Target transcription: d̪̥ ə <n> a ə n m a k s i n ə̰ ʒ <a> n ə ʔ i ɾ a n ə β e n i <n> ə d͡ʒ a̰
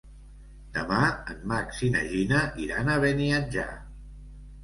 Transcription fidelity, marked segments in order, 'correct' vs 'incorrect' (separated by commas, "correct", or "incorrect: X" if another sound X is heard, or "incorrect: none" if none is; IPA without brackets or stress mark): incorrect: m, incorrect: i, incorrect: none